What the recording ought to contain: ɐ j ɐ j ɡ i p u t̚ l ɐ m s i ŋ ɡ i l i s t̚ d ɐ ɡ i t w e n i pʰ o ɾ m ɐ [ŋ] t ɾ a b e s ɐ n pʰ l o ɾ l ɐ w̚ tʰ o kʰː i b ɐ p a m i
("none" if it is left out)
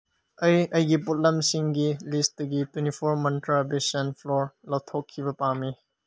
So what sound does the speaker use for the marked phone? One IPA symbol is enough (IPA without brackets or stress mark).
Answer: n